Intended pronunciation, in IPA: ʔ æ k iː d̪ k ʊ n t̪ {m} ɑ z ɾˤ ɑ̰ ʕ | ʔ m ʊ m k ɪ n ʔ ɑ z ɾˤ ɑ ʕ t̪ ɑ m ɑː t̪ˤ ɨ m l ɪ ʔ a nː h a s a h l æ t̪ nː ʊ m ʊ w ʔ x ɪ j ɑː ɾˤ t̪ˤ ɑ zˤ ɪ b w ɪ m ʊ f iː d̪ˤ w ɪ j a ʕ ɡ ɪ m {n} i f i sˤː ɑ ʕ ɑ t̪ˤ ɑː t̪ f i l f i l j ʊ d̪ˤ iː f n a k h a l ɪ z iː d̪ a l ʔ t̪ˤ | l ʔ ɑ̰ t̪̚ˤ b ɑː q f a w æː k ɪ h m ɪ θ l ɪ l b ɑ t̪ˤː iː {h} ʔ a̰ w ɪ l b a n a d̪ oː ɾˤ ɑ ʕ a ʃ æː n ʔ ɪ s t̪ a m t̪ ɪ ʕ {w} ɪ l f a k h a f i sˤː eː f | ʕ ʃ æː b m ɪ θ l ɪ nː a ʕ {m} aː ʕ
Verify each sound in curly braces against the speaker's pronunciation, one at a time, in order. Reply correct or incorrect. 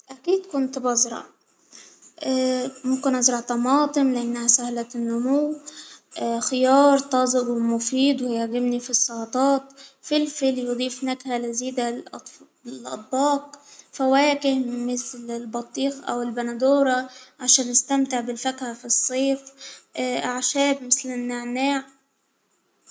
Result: incorrect: b, correct, incorrect: x, incorrect: b, incorrect: n

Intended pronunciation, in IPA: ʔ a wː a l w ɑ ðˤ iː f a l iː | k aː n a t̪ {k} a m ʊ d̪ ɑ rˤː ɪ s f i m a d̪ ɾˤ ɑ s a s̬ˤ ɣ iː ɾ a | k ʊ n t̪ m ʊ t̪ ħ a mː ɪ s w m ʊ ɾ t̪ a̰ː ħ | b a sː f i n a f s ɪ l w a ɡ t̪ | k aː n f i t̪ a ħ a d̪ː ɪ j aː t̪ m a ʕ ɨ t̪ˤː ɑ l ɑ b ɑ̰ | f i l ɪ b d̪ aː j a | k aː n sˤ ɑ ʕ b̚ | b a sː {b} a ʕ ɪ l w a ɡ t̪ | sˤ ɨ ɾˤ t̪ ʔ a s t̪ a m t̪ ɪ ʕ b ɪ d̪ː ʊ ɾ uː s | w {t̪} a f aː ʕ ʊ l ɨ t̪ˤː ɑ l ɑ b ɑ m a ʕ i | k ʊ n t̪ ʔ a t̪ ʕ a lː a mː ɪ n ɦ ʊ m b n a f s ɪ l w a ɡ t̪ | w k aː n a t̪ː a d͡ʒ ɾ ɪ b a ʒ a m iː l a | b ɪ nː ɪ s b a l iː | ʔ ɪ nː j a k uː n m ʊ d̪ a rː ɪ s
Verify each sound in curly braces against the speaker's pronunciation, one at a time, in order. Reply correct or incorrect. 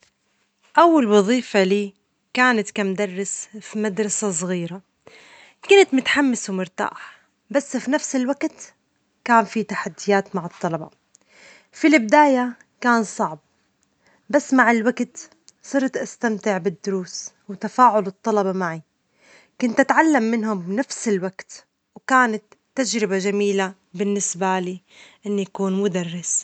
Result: correct, incorrect: m, correct

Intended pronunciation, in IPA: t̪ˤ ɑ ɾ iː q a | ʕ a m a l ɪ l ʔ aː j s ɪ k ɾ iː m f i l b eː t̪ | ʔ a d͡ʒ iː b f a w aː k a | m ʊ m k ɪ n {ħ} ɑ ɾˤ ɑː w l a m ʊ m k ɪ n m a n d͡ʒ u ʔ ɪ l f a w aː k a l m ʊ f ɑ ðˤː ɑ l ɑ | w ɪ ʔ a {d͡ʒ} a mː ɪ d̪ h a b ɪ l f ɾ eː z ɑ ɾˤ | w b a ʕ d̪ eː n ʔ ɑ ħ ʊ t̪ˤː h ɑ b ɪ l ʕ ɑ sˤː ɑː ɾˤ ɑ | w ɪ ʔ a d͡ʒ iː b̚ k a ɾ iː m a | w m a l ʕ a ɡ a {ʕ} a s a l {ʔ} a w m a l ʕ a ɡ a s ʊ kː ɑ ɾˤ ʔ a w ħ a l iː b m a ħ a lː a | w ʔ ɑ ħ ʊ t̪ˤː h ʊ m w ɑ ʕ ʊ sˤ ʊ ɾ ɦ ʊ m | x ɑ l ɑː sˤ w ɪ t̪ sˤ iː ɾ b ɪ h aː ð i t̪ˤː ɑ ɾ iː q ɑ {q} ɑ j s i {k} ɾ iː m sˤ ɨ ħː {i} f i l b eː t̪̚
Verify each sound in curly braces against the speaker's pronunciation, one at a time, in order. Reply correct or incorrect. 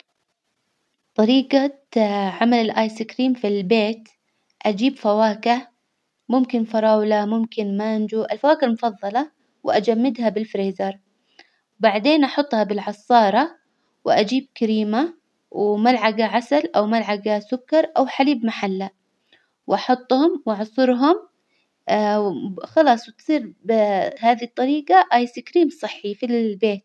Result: incorrect: f, correct, correct, correct, incorrect: ʔ, correct, correct

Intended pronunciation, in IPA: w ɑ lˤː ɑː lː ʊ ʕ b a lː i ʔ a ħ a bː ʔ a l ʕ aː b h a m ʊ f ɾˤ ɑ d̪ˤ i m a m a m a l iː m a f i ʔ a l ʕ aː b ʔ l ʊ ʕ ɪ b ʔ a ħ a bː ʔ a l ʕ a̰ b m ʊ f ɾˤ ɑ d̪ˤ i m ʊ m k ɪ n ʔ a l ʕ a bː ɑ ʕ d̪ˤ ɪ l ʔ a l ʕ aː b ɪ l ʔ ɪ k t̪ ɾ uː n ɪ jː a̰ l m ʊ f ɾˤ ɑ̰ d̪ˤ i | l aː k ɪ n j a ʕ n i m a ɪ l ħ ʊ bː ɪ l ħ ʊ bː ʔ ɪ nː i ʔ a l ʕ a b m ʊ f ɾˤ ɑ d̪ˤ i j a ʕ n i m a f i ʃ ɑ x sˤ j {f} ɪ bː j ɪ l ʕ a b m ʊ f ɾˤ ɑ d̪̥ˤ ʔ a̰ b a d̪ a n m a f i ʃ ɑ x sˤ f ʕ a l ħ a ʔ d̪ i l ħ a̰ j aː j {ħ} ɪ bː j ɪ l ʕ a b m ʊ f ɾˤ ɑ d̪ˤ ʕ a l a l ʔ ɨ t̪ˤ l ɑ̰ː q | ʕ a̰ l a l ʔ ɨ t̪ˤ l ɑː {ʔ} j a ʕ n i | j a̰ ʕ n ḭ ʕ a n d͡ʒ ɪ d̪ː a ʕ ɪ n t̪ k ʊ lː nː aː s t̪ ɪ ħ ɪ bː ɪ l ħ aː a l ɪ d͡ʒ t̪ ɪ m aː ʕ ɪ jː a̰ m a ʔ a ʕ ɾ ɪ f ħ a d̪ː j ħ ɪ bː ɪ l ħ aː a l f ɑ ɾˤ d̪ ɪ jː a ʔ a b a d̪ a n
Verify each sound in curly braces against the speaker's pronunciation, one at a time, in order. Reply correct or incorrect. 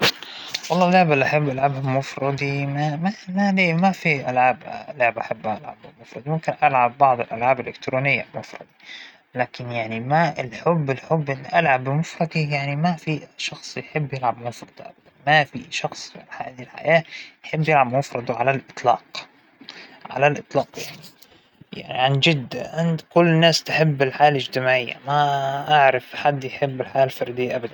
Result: incorrect: ħ, correct, incorrect: q

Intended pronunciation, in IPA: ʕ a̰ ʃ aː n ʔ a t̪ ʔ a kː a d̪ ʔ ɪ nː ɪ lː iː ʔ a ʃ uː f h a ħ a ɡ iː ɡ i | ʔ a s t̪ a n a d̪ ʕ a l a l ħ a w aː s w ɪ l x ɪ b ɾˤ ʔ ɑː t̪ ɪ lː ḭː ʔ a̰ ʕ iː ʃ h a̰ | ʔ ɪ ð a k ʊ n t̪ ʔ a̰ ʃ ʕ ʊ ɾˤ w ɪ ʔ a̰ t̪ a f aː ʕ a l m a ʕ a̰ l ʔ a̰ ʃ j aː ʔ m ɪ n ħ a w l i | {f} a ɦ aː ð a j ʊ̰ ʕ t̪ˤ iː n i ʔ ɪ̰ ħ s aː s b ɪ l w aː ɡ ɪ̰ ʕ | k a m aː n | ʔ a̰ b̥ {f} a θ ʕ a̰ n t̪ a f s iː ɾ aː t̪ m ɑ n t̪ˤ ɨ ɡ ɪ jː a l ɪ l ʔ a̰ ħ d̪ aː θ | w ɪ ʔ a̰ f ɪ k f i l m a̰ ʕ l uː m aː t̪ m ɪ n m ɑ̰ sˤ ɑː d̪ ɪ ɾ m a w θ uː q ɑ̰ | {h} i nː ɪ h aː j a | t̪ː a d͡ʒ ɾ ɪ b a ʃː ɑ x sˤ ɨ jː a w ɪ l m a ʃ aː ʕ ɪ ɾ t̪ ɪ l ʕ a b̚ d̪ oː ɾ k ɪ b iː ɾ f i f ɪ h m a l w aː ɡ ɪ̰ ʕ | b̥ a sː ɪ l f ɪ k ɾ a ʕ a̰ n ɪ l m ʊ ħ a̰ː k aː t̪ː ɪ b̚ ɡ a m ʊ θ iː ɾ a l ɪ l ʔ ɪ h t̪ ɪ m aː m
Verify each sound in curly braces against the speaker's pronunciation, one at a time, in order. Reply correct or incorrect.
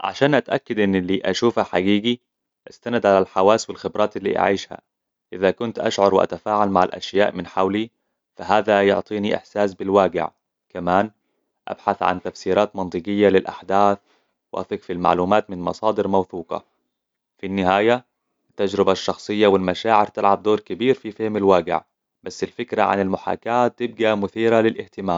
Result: correct, incorrect: ħ, incorrect: f

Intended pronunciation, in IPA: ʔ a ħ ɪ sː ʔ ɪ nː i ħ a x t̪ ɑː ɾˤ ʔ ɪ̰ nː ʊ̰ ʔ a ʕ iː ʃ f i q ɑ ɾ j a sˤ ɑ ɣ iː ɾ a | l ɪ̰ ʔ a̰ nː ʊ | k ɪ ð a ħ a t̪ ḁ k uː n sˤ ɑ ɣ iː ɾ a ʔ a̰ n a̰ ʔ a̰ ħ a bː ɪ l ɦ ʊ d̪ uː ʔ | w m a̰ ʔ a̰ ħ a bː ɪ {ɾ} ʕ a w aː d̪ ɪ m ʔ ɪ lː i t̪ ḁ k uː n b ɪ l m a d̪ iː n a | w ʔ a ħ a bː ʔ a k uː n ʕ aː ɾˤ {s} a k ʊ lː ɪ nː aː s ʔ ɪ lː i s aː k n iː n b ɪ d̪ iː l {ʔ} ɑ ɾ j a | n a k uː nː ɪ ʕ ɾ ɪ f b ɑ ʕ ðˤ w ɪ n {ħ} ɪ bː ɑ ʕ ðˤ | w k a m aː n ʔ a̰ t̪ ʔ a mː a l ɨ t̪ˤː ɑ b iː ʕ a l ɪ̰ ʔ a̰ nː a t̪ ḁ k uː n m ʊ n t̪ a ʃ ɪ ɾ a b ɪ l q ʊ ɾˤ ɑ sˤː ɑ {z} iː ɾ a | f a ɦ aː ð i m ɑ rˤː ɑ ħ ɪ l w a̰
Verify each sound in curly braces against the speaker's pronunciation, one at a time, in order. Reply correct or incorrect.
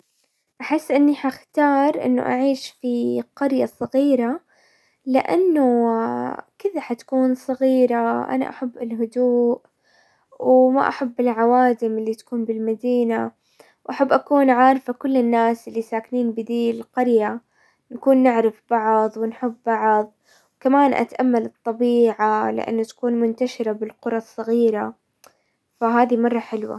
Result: incorrect: l, incorrect: f, incorrect: q, correct, incorrect: ɣ

